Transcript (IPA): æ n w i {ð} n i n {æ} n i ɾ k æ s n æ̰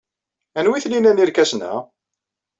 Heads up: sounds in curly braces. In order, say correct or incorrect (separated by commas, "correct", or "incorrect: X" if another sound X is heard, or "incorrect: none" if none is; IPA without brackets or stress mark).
incorrect: θ, correct